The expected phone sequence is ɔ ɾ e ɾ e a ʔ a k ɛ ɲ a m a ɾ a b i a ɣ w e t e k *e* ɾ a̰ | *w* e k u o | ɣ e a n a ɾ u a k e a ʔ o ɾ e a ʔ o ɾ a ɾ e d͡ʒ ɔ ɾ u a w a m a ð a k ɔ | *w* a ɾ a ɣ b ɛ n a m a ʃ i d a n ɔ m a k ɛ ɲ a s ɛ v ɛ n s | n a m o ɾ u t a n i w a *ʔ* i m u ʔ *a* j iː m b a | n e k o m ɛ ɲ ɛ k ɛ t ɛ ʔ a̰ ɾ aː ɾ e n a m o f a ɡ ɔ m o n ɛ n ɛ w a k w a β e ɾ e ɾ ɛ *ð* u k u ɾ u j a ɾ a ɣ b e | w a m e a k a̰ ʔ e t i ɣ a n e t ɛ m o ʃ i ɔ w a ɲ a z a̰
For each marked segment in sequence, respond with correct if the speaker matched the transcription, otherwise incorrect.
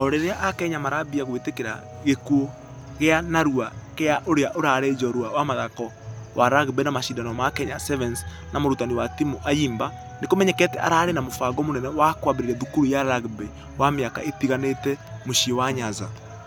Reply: correct, incorrect: ɣ, correct, incorrect: t, correct, correct

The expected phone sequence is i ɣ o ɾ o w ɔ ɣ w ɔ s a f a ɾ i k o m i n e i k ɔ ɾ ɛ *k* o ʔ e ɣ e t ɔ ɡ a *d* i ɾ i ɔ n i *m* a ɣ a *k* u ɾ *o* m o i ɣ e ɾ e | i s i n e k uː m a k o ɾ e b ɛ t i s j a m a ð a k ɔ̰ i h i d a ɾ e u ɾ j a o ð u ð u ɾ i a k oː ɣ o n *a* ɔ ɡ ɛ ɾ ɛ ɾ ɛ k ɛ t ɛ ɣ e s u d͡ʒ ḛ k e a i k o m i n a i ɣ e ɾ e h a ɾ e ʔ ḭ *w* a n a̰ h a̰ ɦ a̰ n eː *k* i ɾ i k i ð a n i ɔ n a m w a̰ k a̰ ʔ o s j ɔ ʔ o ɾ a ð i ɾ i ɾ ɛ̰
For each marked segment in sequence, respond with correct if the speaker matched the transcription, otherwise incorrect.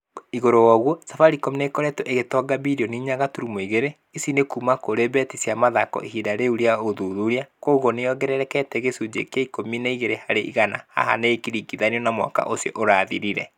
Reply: incorrect: t, incorrect: b, incorrect: ɲ, incorrect: t, incorrect: u, incorrect: e, incorrect: ɣ, correct

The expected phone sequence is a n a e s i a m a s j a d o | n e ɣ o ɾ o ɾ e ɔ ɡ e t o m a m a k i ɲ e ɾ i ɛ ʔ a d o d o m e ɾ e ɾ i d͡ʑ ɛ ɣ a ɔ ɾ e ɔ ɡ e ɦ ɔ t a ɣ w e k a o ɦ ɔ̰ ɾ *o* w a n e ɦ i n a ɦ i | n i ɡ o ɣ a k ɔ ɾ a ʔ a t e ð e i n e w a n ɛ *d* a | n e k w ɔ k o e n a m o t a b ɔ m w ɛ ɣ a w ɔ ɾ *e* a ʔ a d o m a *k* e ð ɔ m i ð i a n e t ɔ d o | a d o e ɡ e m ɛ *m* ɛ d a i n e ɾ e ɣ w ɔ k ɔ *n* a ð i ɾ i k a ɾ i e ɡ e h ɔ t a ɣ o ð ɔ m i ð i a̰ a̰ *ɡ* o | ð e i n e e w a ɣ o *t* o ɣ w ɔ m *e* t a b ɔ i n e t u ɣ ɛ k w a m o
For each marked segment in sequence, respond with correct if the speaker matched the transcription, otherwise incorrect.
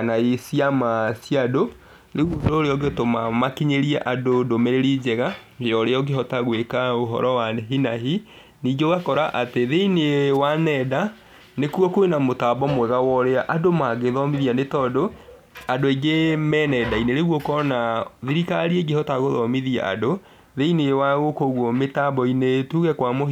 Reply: incorrect: ɔ, correct, correct, incorrect: ɡ, incorrect: n, correct, incorrect: d, incorrect: k, correct

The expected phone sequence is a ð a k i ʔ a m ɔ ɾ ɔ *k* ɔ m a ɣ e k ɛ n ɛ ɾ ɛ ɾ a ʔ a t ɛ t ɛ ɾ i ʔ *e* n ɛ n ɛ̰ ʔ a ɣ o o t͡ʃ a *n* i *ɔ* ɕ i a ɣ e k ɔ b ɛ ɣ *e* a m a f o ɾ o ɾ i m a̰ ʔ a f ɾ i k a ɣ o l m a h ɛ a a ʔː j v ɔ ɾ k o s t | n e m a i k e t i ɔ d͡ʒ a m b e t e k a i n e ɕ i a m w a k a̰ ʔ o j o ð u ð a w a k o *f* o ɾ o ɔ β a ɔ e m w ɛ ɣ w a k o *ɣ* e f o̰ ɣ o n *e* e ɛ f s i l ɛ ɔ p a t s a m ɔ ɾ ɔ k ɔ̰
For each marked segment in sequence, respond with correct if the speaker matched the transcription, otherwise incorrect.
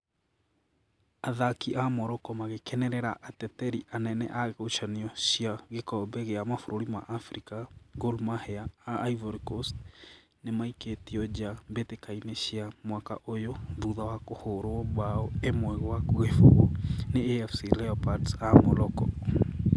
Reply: correct, incorrect: a, correct, correct, correct, incorrect: h, correct, correct

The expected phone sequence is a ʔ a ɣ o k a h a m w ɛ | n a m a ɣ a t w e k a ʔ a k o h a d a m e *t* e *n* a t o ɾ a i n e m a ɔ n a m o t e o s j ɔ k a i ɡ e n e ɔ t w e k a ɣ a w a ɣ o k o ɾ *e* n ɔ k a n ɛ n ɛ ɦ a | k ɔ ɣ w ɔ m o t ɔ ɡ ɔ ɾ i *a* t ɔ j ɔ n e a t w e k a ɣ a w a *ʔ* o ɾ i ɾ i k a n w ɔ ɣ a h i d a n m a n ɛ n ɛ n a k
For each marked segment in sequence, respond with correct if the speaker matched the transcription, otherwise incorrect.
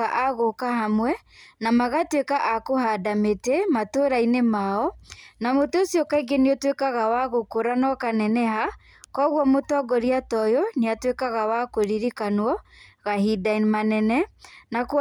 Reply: correct, incorrect: m, incorrect: a, correct, incorrect: k

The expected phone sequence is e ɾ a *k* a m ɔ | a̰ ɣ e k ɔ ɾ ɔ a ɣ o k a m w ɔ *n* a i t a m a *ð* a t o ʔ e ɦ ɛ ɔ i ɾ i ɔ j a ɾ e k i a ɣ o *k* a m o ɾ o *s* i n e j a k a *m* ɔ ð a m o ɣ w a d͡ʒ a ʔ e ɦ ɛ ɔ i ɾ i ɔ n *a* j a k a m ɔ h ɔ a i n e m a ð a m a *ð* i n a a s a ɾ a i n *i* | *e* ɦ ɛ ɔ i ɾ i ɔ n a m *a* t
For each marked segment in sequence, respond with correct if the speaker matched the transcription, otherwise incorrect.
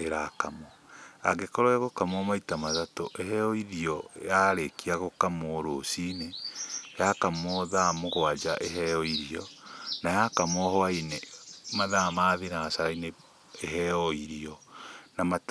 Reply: correct, incorrect: m, correct, correct, correct, correct, correct, correct, incorrect: e, correct, correct

